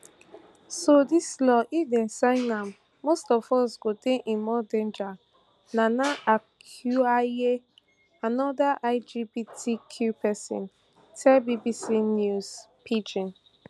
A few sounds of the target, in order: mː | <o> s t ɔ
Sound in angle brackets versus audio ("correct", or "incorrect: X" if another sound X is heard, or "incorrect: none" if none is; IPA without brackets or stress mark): correct